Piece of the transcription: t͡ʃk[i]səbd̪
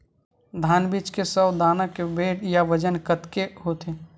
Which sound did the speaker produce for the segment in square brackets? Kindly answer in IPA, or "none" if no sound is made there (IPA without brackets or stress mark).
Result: e